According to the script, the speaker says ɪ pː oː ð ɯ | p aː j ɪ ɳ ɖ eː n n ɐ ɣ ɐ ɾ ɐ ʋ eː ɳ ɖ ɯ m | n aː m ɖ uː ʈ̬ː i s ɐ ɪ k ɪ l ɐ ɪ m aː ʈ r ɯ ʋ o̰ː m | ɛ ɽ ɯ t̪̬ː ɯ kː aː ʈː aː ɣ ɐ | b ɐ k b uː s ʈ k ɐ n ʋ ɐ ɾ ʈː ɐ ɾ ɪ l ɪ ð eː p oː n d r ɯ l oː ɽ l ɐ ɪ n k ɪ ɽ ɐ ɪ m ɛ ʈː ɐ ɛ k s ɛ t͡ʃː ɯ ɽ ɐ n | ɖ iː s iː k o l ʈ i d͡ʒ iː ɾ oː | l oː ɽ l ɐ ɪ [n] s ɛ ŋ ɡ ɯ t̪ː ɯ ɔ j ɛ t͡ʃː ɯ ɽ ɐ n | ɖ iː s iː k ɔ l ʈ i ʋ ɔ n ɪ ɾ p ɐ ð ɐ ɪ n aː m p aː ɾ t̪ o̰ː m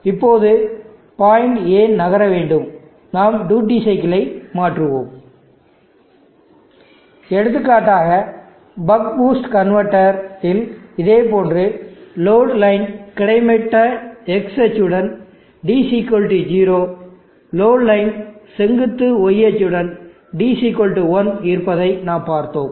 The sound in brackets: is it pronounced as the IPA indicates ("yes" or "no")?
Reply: yes